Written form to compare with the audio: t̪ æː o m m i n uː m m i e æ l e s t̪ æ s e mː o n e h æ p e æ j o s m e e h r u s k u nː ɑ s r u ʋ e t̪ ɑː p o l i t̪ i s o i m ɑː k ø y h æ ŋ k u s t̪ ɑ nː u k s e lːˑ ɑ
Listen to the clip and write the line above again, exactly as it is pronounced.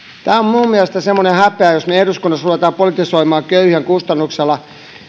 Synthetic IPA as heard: t̪ æː o m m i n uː m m i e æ l e s t̪ æ s e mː o n e h æ p e æ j o s m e e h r u s k u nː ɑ s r u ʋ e t̪ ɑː p o l i t̪ i s o i m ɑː k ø y h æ ŋ k u s t̪ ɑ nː u k s e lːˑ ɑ